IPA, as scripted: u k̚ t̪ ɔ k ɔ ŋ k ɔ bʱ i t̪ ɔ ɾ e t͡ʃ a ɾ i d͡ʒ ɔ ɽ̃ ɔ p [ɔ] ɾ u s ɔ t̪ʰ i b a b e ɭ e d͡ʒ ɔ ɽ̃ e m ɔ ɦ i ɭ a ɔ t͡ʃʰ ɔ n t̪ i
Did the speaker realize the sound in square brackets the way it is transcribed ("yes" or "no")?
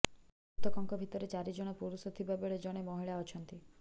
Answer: no